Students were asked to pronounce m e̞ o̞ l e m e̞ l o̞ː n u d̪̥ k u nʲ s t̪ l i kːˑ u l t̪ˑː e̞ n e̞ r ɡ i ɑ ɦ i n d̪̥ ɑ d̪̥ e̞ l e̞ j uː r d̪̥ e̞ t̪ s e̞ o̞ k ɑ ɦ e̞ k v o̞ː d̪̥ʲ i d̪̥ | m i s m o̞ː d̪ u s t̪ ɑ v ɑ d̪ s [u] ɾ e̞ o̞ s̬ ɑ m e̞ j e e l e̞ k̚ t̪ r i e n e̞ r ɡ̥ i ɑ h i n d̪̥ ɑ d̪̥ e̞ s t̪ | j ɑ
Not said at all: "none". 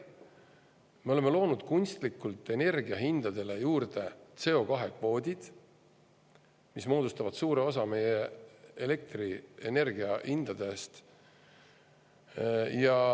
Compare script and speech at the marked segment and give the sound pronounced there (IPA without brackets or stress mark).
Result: uː